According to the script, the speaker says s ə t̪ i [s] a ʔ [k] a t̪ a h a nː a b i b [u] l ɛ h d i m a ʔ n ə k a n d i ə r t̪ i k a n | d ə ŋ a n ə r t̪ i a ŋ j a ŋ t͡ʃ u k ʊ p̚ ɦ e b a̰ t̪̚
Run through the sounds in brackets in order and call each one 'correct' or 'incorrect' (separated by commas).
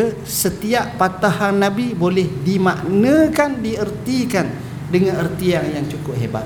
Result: incorrect, incorrect, incorrect